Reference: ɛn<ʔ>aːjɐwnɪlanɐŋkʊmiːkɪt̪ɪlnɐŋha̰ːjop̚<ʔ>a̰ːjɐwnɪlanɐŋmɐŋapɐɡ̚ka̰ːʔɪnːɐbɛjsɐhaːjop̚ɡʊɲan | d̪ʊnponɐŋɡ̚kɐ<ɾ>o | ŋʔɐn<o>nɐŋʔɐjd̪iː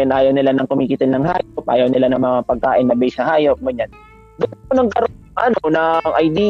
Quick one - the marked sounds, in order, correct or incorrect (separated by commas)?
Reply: correct, correct, correct, correct